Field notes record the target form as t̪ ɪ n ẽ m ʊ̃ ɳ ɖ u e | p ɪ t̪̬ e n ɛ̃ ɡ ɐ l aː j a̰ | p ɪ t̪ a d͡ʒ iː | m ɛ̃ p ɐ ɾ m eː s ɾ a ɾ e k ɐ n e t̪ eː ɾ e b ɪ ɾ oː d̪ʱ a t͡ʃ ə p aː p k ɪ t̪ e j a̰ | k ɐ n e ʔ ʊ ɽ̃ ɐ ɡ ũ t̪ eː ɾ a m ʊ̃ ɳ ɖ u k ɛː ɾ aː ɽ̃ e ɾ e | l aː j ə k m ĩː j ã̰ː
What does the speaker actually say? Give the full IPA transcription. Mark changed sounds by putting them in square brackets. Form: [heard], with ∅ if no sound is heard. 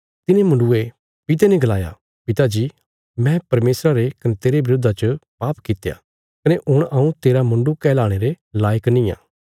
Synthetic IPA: t̪ ɪ n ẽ m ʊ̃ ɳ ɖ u e | p ɪ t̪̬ e n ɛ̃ ɡ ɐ l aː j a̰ | p ɪ t̪ a d͡ʒ iː | m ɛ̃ p ɐ ɾ m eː s ɾ a ɾ e k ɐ n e t̪ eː ɾ e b ɪ ɾ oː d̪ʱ a t͡ʃ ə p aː p k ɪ t̪ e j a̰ | k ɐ n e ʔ ʊ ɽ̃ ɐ [∅] ũ t̪ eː ɾ a m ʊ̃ ɳ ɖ u k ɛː [l] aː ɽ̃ e ɾ e | l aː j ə k [n] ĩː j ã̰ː